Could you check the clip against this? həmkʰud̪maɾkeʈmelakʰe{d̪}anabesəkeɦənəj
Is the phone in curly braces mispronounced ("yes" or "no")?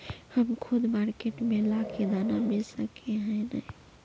no